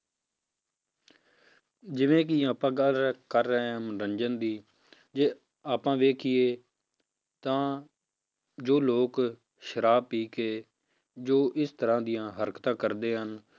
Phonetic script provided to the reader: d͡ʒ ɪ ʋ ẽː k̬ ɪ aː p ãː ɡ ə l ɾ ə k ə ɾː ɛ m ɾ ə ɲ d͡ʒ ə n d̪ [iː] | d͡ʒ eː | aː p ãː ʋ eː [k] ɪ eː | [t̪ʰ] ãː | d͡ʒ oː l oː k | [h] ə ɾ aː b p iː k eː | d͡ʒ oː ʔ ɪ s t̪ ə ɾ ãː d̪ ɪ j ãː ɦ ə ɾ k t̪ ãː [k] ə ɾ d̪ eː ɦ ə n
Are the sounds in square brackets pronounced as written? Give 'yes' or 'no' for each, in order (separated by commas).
yes, no, no, no, yes